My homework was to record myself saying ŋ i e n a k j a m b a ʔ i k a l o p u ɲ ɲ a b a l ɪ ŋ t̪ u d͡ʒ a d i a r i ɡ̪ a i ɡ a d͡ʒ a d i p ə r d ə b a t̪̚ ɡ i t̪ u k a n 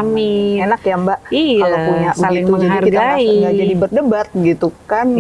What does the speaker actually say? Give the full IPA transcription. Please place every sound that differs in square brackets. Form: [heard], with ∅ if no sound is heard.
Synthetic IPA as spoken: [m] i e n a k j a m b a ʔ i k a l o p u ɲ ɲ a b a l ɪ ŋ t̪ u d͡ʒ a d i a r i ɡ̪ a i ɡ a d͡ʒ a d i [b] ə r d ə b a t̪̚ ɡ i t̪ u k a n